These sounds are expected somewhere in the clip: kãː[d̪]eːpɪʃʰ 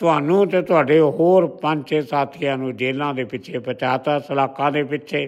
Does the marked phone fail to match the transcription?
no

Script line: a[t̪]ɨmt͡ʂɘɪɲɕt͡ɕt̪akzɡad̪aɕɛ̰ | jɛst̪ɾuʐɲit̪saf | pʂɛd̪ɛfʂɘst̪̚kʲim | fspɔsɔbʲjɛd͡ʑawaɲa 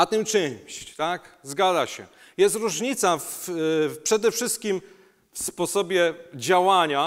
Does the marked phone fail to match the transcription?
no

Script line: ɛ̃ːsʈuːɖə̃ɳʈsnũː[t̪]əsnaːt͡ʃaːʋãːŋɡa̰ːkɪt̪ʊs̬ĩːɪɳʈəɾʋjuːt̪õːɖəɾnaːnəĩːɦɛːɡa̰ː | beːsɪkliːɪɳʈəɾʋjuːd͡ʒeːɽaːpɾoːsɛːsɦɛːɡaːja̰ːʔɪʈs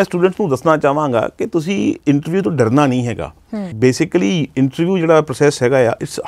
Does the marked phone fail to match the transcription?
yes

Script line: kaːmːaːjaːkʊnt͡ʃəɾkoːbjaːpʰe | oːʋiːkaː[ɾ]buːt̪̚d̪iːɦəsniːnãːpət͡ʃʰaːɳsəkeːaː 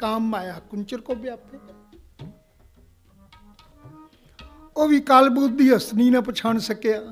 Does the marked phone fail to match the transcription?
yes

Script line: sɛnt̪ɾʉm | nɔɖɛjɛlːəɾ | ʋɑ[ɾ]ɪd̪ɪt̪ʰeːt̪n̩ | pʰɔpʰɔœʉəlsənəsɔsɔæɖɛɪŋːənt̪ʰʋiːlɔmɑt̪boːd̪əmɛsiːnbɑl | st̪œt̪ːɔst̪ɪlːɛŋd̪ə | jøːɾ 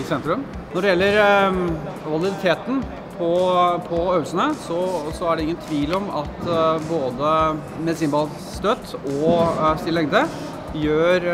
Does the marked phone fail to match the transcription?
yes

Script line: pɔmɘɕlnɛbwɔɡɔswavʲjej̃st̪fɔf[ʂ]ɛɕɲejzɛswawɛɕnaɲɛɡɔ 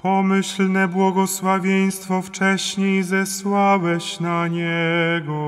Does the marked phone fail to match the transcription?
yes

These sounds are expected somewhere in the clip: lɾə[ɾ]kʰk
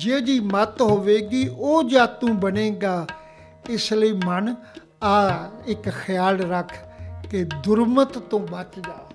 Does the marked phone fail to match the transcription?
yes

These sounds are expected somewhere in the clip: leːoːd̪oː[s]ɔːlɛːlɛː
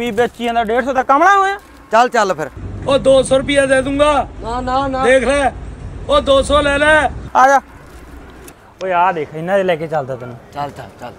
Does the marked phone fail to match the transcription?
no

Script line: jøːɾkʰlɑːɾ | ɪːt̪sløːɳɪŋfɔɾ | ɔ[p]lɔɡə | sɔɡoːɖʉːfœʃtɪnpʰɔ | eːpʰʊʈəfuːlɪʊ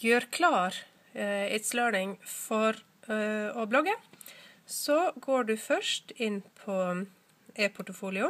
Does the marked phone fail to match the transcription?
yes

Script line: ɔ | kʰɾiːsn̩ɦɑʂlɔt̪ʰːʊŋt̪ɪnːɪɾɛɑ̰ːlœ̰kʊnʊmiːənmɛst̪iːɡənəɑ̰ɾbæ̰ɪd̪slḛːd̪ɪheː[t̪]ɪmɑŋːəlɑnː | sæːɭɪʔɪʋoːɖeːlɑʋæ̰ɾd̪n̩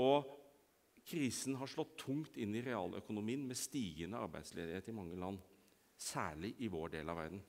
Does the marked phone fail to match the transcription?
no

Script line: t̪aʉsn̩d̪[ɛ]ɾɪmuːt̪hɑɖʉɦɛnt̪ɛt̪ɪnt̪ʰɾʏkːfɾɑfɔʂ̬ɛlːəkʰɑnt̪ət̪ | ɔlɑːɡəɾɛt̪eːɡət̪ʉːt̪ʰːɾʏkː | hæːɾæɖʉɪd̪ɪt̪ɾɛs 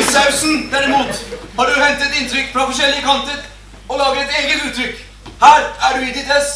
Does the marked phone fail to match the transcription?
yes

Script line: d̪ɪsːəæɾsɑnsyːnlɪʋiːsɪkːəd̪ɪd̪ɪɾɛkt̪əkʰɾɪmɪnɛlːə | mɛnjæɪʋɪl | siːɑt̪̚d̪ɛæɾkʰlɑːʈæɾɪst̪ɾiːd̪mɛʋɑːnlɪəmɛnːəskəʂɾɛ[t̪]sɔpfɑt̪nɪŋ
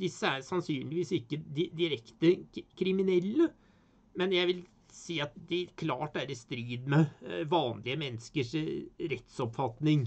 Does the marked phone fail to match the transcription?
no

